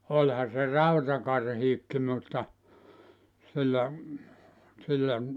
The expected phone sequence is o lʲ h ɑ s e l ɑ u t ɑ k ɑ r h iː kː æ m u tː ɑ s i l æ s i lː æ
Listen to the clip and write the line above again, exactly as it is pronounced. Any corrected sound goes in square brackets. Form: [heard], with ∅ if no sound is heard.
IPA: o lʲ h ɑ s e [r] ɑ u t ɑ k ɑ r h iː kː [i] m u tː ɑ s i [lː] æ s i lː æ